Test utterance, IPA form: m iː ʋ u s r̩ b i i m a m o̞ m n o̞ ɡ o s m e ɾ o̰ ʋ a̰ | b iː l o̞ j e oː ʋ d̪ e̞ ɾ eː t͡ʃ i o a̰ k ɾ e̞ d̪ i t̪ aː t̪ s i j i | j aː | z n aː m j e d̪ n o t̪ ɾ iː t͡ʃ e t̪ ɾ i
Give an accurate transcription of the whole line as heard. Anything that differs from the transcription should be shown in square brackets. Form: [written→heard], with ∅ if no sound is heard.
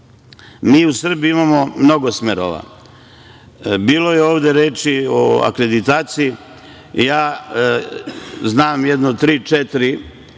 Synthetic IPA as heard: m iː [ʋ→∅] u s r̩ b i i m a m o̞ m n o̞ ɡ o s m e ɾ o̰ ʋ a̰ | b iː l o̞ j e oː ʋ d̪ e̞ ɾ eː t͡ʃ i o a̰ k ɾ e̞ d̪ i t̪ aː t̪ s i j i | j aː | z n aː m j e d̪ n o t̪ ɾ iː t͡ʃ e t̪ ɾ i